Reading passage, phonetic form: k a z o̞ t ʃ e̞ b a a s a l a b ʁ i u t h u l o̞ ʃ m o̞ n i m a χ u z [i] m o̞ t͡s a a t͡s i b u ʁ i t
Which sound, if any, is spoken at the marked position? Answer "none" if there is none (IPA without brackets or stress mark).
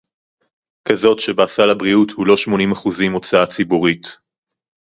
i